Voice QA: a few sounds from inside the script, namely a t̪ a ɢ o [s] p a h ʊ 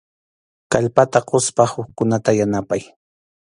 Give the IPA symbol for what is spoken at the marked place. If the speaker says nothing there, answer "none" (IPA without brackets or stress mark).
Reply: s